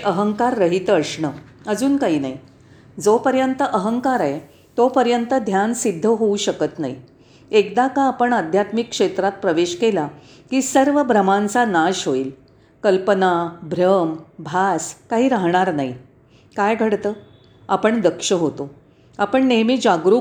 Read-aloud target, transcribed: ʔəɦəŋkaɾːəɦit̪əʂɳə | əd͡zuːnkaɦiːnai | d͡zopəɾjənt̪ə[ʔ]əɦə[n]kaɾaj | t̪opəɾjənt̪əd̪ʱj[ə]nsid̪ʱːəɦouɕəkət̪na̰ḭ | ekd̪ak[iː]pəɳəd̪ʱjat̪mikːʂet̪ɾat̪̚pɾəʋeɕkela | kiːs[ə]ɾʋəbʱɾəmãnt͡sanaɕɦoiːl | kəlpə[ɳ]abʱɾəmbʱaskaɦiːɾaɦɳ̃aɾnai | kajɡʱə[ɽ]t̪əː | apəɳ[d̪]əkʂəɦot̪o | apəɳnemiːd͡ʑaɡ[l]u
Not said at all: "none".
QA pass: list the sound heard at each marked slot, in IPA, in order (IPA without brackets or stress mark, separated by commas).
ʔ, ŋ, a, aː, ə, n, ɽ, d̪, ɾ